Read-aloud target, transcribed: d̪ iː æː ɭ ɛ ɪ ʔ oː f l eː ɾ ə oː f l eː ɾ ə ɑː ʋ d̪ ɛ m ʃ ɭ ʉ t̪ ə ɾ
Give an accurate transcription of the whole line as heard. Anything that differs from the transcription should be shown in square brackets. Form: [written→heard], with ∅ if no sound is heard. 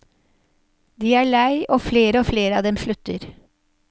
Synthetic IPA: d̪ iː æː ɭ [ɛ→æ] ɪ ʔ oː f l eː ɾ ə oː f l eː ɾ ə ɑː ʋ d̪ ɛ m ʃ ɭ ʉ t̪ ə ɾ